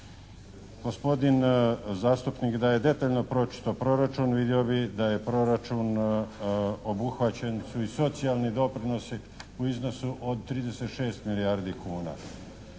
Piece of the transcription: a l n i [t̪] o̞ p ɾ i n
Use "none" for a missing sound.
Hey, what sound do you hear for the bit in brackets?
d̪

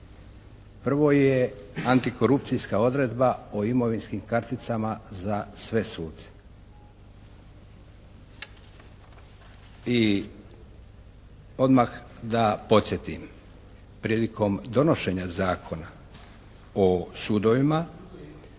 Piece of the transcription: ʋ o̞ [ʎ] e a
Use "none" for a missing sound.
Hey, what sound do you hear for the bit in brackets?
j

